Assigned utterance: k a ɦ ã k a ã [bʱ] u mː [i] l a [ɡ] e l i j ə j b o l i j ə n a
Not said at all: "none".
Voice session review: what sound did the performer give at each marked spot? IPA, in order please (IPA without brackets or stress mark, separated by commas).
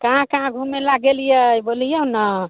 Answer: ɡʱ, e, ɡ